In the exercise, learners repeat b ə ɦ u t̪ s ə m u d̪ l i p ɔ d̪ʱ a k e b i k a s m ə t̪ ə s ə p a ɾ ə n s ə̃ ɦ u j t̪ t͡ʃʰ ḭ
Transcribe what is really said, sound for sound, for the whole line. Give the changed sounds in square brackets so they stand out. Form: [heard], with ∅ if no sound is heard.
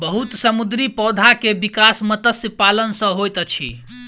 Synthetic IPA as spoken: b ə ɦ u t̪ s ə m u d̪ [ɾ] i p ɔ d̪ʱ a k e b i k a s m ə t̪ ə s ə p a [l] ə n s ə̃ ɦ [o] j t̪ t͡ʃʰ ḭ

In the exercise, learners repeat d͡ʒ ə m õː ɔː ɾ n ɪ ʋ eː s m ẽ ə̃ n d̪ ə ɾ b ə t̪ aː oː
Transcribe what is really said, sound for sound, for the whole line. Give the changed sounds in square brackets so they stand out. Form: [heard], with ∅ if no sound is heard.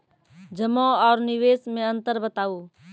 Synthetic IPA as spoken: d͡ʒ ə m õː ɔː ɾ n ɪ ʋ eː s m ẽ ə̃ n [t̪] ə ɾ b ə t̪ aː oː

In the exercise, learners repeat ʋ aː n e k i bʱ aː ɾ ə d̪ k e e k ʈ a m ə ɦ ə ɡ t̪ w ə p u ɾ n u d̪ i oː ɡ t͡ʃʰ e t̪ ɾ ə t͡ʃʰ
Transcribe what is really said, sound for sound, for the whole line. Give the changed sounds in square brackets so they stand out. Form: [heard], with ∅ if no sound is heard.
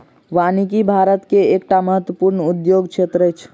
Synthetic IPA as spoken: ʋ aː n [i] k i bʱ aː ɾ ə [t̪] k e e k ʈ a m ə ɦ ə [∅] t̪ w ə p u ɾ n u d̪ [j] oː ɡ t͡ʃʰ e t̪ ɾ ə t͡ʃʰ

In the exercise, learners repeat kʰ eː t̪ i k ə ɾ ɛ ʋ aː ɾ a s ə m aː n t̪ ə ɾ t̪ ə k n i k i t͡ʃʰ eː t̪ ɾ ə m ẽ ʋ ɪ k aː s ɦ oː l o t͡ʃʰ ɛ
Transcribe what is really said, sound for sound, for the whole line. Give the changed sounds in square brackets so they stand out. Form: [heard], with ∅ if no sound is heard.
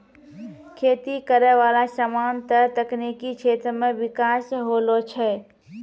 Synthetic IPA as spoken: kʰ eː t̪ i k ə ɾ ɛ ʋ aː [l] a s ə m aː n t̪ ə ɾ t̪ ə k n i k i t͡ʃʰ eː t̪ ɾ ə m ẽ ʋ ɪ k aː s ɦ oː l o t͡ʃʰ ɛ

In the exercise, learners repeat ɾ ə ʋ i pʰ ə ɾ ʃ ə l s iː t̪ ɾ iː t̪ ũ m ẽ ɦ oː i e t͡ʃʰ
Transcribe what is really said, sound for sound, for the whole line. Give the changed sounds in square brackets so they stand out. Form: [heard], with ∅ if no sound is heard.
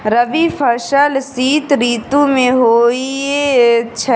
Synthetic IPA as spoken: ɾ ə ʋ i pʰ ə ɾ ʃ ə l s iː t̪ ɾ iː t̪ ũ m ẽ ɦ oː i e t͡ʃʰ

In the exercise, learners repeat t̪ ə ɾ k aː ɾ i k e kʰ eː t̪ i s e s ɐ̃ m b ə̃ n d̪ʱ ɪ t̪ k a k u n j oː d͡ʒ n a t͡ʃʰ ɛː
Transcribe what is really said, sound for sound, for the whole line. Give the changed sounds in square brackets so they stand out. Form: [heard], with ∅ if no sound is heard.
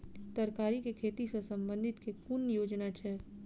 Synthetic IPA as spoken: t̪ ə ɾ k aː ɾ i k e kʰ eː t̪ i s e s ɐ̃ m b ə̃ n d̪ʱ ɪ t̪ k [e] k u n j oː d͡ʒ n a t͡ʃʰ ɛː

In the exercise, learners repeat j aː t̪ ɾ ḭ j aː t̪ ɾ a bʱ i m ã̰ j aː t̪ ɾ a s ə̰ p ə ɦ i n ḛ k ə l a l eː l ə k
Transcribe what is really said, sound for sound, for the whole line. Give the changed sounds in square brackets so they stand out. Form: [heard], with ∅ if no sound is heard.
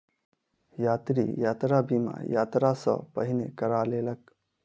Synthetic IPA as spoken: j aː t̪ ɾ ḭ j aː t̪ ɾ a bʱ i m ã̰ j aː t̪ ɾ a s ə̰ p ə ɦ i n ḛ k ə [ɾ] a l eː l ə k

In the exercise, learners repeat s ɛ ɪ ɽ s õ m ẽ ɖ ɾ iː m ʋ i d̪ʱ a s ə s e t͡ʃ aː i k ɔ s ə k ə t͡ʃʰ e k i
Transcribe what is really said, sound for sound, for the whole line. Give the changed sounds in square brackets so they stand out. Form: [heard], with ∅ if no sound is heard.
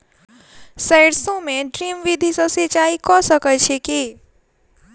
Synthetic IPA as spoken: s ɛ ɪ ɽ s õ m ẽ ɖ ɾ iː m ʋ i d̪ʱ [i] s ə s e t͡ʃ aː i k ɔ s ə k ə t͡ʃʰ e k i

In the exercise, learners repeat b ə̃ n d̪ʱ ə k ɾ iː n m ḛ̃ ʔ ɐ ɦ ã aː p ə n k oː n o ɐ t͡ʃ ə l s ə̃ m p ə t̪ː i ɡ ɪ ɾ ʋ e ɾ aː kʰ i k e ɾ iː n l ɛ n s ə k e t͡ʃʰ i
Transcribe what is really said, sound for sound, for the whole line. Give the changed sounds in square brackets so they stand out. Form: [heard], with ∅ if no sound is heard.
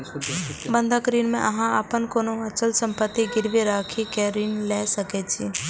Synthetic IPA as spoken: b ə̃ n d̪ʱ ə k ɾ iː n m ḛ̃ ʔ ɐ ɦ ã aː p ə n k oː n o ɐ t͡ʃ ə l s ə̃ m p ə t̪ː i ɡ ɪ ɾ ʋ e ɾ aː kʰ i k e ɾ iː n l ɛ [∅] s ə k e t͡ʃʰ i

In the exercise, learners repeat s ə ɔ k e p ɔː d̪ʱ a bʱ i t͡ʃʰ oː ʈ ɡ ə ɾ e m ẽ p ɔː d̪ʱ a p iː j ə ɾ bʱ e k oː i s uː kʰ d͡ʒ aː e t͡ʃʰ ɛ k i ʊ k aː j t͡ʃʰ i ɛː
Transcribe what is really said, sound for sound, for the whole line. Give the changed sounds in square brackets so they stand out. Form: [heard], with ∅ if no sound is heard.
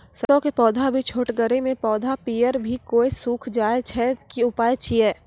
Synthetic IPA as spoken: s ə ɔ k e p ɔː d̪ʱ a bʱ i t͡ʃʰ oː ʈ ɡ ə ɾ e m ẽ p ɔː d̪ʱ a p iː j ə ɾ bʱ [i] k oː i s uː kʰ d͡ʒ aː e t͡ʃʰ ɛ k i ʊ [p] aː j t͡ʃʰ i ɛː

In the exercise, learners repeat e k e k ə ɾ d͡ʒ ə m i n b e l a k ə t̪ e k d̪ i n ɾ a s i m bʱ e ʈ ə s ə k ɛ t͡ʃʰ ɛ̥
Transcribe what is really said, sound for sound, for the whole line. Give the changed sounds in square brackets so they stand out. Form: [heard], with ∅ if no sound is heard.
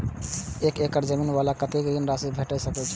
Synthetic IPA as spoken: e k e k ə ɾ d͡ʒ ə m i n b [a] l a k ə t̪ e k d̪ i n ɾ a s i [∅] bʱ e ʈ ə s ə k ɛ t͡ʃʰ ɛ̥

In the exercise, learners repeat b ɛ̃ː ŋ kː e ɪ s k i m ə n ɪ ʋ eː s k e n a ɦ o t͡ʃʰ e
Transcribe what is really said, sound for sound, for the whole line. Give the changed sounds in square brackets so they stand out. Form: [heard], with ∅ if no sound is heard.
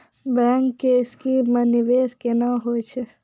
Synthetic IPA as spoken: b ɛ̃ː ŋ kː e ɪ s k i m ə n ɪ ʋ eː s k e n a ɦ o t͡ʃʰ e

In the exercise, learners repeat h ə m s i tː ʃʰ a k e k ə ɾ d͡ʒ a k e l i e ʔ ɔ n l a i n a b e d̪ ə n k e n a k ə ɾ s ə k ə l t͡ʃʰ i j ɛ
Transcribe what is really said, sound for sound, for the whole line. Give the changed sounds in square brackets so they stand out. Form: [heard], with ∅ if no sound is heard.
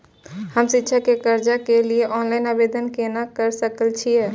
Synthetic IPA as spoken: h ə m s i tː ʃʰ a k e k ə ɾ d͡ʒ a k e l i e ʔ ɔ n l a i n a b e d̪ ə n k e n a k ə ɾ s ə k ə l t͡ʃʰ i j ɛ

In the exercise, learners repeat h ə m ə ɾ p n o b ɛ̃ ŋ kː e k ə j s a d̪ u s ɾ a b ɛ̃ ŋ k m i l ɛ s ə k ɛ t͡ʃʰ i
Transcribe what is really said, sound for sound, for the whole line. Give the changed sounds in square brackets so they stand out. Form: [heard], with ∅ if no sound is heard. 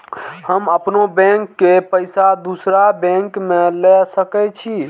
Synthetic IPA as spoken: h ə m ə [∅] p n o b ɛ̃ ŋ kː e [p] ə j s a d̪ u s ɾ a b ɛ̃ ŋ k m [e] l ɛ s ə k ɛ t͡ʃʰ i

